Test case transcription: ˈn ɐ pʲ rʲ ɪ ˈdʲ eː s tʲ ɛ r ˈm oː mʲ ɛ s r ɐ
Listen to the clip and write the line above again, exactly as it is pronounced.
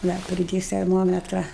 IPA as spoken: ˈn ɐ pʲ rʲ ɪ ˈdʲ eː s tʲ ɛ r ˈm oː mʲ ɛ t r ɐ